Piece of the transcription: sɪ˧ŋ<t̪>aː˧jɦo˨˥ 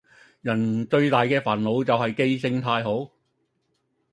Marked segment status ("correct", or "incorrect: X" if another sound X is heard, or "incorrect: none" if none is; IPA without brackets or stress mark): incorrect: t̪ʰ